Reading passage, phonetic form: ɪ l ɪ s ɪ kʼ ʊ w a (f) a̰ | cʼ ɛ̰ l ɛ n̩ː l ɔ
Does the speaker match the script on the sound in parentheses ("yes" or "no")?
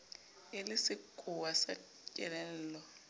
no